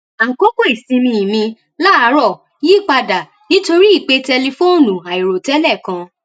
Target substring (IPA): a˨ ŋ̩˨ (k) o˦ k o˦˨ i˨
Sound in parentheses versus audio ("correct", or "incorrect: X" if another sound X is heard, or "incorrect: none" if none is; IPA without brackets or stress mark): correct